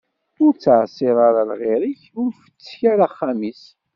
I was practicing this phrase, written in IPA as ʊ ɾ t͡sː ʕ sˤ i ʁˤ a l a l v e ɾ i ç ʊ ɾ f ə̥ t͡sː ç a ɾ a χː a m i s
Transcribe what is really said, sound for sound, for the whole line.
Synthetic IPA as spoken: ʊ ɾ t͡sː ʕ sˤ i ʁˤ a ɾ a l ʁ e ɾ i ç ʊ ɾ f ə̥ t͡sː ç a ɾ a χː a m i s

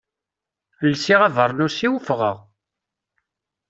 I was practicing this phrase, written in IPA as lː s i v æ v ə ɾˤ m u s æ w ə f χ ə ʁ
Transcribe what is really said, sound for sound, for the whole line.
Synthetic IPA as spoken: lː s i ʁ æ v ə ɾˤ n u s i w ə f ʁ ə ʁ

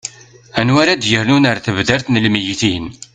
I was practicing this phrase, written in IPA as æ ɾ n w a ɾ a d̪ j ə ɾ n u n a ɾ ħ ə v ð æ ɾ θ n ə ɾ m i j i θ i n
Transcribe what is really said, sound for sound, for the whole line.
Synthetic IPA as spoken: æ n w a ɾ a d̪ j ə ɾ n u n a ɾ θ ə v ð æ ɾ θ n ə l m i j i θ i n

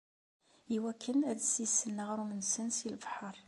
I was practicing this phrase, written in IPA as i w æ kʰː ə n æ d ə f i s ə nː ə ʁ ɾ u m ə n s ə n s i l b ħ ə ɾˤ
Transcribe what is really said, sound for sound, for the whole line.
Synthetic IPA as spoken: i w æ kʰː ə n æ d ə s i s ə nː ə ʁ ɾ u m ə n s ə n s i l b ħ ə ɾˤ

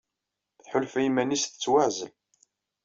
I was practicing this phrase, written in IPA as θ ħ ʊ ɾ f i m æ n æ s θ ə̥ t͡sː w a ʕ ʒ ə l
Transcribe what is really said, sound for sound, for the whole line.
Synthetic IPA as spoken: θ ħ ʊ l f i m æ n i s θ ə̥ t͡sː w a ʕ z ə l

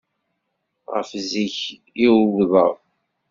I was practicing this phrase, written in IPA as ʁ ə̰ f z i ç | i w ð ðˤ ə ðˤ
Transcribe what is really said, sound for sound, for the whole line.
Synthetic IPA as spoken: ʁ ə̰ f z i ç | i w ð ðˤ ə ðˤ

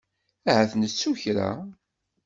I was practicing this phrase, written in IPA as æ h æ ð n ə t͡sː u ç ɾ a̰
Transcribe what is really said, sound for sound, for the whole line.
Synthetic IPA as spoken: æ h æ θ n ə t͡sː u ç ɾ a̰

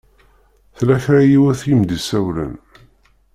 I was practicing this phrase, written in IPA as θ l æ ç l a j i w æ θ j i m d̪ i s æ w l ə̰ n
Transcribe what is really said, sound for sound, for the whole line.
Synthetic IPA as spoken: θ l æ ç ɾ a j i w æ θ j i m d̪ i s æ w l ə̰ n

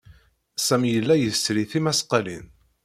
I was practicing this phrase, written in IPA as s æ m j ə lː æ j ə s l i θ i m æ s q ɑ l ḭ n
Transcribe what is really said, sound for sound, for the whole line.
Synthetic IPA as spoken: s æ m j ə lː æ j ə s ɾ i θ i m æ s q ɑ l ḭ n

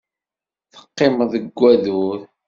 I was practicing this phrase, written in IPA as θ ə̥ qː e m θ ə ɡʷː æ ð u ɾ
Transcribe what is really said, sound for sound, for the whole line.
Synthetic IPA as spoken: θ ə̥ qː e m ð ə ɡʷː æ ð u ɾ

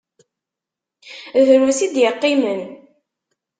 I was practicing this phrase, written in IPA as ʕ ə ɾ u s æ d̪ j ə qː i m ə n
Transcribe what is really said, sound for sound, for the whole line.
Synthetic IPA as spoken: ð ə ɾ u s i d̪ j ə qː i m ə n

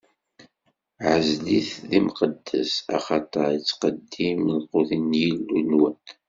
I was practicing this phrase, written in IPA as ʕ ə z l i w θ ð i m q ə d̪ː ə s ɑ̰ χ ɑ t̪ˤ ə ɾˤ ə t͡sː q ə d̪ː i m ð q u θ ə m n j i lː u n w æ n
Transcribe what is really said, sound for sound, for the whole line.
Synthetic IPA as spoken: ʕ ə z l i θ ð i m q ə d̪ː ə s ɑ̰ χ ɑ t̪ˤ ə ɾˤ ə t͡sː q ə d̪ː i m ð q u θ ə n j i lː u n w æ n

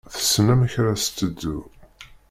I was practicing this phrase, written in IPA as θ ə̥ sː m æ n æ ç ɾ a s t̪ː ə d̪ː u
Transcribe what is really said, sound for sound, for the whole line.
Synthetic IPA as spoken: θ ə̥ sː n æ m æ ç ɾ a s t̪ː ə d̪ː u

